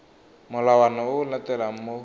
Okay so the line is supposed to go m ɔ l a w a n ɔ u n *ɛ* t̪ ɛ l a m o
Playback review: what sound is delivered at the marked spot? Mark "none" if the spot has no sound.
a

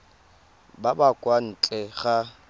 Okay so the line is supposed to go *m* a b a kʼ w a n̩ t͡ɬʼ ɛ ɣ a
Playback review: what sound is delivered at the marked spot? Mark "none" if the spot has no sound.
b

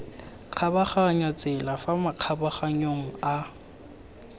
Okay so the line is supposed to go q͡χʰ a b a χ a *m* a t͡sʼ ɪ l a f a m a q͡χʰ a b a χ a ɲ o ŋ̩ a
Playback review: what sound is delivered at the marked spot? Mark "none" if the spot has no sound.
ɲ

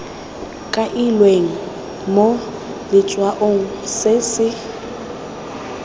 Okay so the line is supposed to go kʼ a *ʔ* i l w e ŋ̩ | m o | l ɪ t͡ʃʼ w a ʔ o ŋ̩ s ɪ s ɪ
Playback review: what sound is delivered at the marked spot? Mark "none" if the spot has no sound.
ʔ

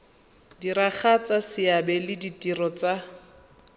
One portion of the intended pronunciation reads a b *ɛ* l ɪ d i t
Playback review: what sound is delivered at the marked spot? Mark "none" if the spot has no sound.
ɛ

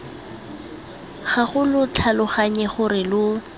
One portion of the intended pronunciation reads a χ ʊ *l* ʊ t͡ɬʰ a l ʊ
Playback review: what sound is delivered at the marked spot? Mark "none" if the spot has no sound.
l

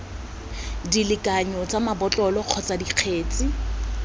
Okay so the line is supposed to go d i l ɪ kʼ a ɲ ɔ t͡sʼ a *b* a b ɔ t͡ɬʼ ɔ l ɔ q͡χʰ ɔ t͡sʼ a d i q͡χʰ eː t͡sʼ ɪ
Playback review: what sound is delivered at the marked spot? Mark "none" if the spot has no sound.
m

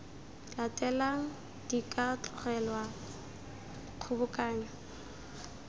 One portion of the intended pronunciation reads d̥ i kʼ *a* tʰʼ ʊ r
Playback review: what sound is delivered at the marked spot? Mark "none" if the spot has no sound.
a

